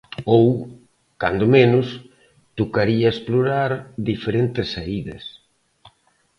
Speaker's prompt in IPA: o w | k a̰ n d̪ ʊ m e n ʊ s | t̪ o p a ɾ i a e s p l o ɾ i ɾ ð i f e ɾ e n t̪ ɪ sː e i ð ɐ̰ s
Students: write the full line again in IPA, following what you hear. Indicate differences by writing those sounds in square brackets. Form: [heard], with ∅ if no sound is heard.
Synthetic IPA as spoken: o w | k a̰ n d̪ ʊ m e n ʊ s | t̪ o [k] a ɾ i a e s p l o ɾ [a] ɾ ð i f e ɾ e n t̪ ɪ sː [a] i ð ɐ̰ s